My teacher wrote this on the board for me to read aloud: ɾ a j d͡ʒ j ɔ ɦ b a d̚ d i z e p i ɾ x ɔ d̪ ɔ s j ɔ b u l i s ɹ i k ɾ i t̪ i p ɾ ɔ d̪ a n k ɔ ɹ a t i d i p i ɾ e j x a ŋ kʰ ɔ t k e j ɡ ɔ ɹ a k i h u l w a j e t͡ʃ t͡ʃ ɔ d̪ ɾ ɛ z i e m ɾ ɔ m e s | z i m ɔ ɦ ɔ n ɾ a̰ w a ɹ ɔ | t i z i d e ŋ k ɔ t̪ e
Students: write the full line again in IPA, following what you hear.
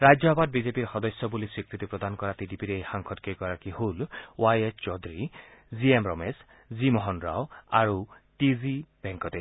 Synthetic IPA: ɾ a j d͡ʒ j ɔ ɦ b a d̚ b i z e p i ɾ x ɔ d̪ ɔ s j ɔ b u l i s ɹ i k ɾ i t̪ i p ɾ ɔ d̪ a n k ɔ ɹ a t i d i p i ɾ e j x a ŋ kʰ ɔ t k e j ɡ ɔ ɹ a k i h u l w a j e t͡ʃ t͡ʃ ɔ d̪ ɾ i z i e m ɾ ɔ m e s | z i m ɔ ɦ ɔ n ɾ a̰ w a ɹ u | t i z i b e ŋ k ɔ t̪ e